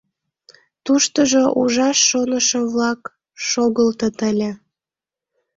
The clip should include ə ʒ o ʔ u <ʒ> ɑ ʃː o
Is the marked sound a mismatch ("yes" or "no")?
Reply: no